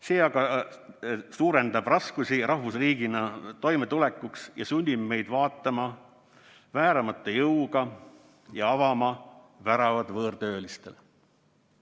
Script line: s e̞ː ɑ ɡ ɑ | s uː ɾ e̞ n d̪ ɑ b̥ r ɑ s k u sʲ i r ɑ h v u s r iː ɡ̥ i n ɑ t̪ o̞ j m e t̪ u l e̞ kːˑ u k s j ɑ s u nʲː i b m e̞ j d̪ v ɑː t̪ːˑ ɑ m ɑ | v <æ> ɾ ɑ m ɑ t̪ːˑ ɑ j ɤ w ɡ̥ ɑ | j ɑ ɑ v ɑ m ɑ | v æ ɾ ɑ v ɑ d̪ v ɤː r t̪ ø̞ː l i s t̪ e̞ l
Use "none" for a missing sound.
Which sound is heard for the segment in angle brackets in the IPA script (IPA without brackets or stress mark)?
æː